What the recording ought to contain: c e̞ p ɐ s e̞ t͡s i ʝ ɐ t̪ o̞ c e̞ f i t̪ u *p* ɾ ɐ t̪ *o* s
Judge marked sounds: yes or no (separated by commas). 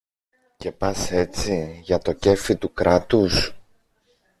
no, no